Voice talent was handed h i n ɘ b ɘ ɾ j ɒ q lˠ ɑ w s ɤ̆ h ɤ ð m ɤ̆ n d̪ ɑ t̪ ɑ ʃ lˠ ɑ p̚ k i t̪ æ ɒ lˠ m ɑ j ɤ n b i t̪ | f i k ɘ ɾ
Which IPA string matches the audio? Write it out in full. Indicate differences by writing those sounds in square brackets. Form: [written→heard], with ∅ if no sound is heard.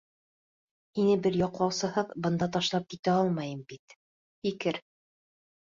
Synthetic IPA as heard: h i n ɘ b ɘ ɾ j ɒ q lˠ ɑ w s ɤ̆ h ɤ ð [m→b] ɤ̆ n d̪ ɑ t̪ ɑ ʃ lˠ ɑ p̚ k i t̪ æ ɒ lˠ m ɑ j ɤ [n→m] b i t̪ | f i k ɘ ɾ